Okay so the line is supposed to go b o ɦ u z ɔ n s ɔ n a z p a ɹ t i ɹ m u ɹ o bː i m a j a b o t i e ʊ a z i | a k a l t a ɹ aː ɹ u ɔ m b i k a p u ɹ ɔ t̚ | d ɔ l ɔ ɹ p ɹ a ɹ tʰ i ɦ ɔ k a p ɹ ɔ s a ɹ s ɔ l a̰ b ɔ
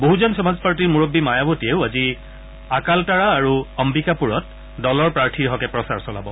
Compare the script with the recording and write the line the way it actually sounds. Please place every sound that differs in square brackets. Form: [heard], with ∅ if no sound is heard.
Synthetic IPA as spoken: b o ɦ u z ɔ n s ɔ [m] a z p a ɹ t i ɹ m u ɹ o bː i m a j a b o t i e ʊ a z i | a k a l t a ɹ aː ɹ u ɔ m b i k a p u ɹ ɔ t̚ | d ɔ l ɔ ɹ p ɹ a ɹ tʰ i ɦ ɔ k [ɛ] p ɹ ɔ s a ɹ s ɔ l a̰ b ɔ